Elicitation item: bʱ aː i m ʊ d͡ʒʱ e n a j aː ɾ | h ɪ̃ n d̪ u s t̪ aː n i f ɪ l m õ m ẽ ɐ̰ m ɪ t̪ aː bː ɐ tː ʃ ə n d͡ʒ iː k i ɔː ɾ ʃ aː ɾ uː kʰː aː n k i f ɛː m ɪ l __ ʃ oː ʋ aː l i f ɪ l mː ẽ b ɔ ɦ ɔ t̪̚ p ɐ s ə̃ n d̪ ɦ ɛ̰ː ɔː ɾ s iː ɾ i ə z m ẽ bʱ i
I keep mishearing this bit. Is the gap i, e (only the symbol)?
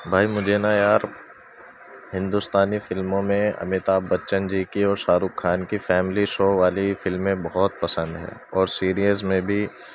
i